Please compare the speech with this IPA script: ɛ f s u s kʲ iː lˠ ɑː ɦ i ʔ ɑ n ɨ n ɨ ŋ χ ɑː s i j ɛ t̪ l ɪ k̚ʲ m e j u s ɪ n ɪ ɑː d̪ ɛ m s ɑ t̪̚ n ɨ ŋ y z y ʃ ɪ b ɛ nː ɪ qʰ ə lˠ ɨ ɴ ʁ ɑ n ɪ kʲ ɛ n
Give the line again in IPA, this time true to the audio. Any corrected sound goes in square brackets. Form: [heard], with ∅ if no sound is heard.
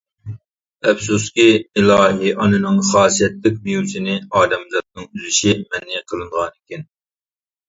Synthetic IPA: ɛ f s u s kʲ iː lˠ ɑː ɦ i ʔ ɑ n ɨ n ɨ ŋ χ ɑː s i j ɛ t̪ l ɪ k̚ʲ m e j u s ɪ n ɪ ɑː d̪ ɛ m [z] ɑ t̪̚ n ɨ ŋ y z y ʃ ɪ [m] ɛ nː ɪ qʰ ə lˠ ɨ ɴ ʁ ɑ n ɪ kʲ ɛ n